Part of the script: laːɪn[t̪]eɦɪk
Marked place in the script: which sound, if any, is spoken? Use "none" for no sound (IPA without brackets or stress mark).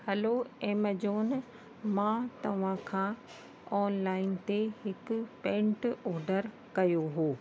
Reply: t̪